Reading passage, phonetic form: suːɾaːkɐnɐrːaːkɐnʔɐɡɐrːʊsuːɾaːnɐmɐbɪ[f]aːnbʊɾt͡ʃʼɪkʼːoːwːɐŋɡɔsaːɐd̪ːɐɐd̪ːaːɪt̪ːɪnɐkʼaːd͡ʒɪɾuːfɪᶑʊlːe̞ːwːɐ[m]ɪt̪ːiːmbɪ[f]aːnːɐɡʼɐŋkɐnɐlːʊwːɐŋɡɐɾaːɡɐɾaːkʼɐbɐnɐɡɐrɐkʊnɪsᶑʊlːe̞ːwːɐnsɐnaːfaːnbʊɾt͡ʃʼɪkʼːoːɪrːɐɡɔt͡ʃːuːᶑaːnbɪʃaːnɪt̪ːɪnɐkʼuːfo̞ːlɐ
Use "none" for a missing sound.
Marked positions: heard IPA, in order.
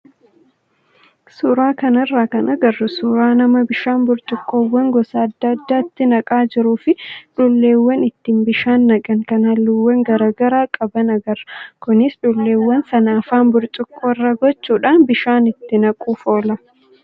ʃ, n, ʃ

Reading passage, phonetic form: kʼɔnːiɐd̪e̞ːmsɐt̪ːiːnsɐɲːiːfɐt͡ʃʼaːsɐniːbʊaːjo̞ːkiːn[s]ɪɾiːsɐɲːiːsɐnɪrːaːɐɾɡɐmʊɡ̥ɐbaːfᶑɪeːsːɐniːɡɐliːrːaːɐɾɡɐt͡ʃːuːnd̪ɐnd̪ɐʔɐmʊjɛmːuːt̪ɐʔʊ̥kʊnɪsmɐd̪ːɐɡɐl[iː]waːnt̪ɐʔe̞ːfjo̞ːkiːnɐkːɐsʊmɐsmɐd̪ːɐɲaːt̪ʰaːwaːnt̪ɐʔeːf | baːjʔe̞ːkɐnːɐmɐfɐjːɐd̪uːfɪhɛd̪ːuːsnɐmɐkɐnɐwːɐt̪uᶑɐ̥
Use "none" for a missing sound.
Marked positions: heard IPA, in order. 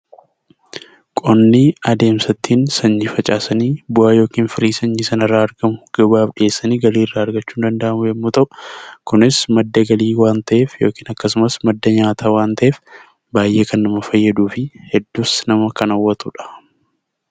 f, iː

